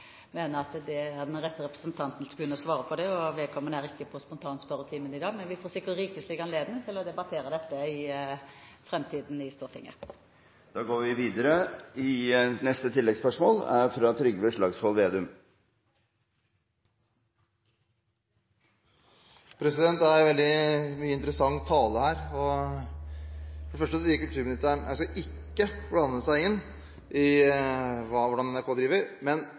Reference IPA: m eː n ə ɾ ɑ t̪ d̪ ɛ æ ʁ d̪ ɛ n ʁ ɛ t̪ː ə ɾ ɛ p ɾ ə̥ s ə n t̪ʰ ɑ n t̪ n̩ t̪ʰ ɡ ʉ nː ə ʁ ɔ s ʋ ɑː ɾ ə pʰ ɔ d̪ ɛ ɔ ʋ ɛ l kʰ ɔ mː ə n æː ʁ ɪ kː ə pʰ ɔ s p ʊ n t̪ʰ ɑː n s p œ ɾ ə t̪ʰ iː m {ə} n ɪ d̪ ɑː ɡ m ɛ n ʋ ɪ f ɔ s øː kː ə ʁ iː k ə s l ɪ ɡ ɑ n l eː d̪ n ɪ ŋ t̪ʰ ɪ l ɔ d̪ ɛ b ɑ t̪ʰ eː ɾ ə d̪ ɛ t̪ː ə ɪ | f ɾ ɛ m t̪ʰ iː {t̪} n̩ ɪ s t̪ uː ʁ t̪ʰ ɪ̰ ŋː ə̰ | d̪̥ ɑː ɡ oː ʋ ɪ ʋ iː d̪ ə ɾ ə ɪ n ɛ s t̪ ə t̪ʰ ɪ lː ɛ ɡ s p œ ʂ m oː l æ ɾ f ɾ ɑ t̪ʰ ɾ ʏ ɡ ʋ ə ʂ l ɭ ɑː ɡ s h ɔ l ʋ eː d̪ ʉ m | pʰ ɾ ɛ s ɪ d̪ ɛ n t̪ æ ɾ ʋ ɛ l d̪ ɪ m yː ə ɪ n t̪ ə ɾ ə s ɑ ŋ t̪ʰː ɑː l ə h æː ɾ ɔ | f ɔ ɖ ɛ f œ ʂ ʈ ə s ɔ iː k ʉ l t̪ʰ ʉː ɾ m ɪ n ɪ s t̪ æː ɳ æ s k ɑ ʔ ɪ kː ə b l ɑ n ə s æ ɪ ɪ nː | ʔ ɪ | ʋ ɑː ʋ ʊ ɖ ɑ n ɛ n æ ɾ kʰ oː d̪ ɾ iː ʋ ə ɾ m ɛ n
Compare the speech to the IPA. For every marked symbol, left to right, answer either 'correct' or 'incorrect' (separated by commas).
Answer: correct, incorrect